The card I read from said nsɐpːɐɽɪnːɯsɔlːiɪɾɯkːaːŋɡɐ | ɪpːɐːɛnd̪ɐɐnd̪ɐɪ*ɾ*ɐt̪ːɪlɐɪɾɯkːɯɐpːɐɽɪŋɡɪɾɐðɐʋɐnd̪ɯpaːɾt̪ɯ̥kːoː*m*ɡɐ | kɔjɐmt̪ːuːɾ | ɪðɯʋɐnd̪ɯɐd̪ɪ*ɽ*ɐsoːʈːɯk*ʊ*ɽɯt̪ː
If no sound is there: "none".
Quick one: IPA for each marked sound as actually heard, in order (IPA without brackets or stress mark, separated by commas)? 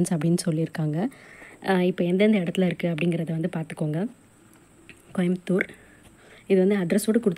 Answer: ɽ, ŋ, ɾ, ʊ